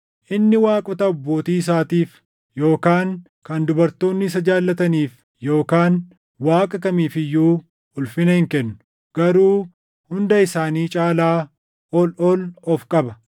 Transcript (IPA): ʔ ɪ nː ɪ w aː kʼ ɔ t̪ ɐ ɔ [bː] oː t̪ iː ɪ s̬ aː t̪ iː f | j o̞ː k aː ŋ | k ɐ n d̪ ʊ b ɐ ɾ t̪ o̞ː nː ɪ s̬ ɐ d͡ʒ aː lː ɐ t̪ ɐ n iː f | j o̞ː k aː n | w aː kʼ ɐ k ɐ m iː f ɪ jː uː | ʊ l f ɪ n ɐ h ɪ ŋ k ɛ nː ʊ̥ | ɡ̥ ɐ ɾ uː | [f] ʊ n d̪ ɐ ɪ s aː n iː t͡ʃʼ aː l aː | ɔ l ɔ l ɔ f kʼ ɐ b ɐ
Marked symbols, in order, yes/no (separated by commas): yes, no